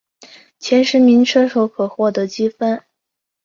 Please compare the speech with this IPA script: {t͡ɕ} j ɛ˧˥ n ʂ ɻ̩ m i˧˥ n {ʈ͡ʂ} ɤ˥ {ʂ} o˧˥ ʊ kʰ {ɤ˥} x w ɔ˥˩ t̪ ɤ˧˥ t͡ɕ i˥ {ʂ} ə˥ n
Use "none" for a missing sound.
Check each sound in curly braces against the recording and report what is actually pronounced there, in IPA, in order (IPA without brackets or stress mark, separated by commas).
t͡ɕʰ, ʈ͡ʂʰ, ʂ, ɤ˨˩, f